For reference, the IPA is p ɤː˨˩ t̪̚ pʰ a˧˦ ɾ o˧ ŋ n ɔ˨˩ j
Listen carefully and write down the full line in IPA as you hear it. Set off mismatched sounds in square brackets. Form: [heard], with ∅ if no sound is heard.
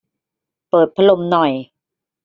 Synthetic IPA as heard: p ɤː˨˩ t̪̚ pʰ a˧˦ [l] o˧ [m] n ɔ˨˩ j